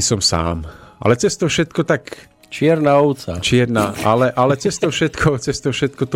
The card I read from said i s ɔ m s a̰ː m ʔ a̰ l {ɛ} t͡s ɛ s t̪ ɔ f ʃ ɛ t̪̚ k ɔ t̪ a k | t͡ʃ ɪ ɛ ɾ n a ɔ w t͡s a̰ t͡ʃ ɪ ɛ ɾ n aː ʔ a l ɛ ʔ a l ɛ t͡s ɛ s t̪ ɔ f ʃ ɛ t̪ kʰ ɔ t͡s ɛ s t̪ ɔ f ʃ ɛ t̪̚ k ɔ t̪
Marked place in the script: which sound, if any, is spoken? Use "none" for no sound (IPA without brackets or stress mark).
ɛ